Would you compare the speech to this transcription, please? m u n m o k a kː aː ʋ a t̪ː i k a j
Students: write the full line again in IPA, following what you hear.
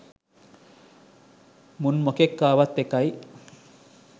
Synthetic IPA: m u n m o k e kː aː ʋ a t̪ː e k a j